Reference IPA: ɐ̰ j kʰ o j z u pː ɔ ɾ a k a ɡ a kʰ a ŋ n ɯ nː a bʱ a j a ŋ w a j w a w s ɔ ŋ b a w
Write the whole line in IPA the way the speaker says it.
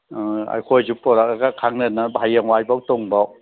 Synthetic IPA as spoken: a̰ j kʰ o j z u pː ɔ ɾ a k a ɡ a kʰ a ŋ n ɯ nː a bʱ a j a ŋ w a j b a w t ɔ ŋ b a w